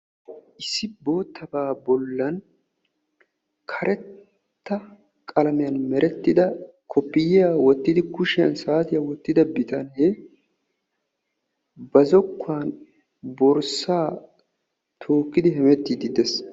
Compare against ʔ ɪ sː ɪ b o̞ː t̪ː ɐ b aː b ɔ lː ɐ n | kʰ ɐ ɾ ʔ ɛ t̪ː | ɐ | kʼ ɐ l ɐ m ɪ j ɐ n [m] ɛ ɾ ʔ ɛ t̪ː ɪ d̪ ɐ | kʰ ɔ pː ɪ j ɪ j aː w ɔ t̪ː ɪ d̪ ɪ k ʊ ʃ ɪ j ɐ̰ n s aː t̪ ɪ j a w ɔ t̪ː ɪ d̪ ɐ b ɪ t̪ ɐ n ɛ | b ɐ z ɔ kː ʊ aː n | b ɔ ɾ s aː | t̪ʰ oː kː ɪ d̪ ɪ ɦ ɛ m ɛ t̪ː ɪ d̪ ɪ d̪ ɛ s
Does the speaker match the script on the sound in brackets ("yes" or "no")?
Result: yes